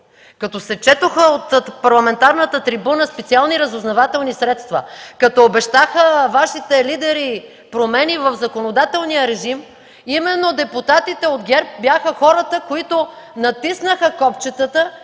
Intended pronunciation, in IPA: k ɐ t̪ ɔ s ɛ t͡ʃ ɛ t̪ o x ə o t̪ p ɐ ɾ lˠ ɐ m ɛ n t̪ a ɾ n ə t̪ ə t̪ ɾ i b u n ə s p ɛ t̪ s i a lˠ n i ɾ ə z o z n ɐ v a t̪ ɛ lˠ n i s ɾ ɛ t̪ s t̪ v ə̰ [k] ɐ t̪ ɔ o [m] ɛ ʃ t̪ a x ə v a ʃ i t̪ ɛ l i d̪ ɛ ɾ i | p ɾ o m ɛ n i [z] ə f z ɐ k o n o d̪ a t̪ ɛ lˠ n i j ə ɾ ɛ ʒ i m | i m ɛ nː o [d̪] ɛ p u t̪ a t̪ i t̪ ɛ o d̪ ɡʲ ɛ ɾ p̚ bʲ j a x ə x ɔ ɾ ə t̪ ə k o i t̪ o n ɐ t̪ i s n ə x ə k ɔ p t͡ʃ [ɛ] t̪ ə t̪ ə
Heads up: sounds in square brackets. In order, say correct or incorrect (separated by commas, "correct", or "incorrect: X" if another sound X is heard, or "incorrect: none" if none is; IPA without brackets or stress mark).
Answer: correct, incorrect: b, incorrect: v, correct, correct